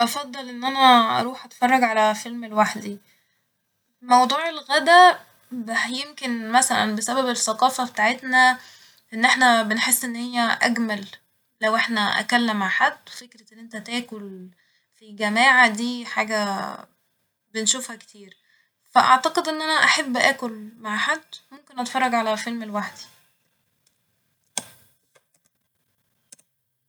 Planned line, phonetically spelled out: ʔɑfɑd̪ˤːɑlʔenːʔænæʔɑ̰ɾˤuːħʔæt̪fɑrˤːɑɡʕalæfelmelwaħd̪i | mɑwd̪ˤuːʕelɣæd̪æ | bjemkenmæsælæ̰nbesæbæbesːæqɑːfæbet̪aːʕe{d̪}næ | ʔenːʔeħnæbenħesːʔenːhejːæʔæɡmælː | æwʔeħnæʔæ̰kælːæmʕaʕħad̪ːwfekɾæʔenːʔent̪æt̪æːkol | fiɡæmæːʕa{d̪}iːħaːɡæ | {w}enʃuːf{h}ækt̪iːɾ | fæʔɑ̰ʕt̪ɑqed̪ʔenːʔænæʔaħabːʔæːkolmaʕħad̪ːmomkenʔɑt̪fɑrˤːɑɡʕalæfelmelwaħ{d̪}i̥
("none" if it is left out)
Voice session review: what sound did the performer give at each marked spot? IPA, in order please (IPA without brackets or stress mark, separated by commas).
t̪, d̪, b, h, d̪